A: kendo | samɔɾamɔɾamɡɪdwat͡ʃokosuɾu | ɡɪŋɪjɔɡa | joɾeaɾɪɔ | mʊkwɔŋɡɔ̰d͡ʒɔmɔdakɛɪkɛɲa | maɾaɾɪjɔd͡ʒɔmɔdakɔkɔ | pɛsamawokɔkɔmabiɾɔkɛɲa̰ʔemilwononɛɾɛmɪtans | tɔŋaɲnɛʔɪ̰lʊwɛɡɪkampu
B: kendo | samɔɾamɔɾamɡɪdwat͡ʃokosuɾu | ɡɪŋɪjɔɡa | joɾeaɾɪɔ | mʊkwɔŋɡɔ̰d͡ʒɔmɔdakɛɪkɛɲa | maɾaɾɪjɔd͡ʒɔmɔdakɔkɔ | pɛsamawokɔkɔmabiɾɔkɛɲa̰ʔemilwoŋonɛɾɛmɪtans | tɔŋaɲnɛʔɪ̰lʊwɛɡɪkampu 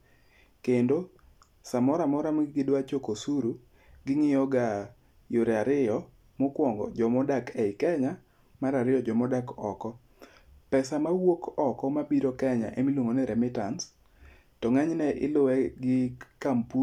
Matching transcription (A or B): B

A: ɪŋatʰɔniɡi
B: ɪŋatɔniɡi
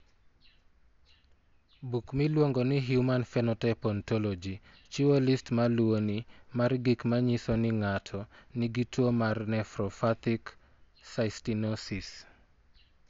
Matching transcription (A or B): A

